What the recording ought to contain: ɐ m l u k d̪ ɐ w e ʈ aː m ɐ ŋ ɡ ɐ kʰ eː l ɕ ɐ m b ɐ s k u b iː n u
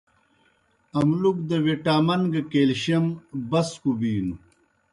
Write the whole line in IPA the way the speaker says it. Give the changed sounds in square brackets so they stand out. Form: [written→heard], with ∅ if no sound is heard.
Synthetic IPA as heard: ɐ m l u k d̪ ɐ w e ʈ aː m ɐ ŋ ɡ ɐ [kʰ→k] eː l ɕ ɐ m b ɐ s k u b iː n u